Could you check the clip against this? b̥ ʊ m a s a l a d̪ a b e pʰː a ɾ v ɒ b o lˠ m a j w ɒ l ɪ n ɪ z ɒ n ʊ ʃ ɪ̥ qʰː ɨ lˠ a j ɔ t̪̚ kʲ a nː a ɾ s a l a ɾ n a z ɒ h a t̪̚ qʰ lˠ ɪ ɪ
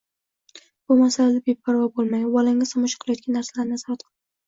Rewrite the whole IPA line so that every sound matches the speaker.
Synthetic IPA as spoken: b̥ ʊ m a s a l a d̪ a b e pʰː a ɾ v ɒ b o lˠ m a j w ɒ l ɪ ŋ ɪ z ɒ m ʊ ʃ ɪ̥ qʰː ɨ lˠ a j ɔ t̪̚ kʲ a nː a ɾ s a l a ɾ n a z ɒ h a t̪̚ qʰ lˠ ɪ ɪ